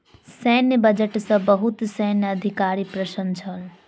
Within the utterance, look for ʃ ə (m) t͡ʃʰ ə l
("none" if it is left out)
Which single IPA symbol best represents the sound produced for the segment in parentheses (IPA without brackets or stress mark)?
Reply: n